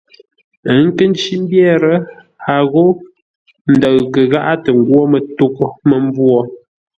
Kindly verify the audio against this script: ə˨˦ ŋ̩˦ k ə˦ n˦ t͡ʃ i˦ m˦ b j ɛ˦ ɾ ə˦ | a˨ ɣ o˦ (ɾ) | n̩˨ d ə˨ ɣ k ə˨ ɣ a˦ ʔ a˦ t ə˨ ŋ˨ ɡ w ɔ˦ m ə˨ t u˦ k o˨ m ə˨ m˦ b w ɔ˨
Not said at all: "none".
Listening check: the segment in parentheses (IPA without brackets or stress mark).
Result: none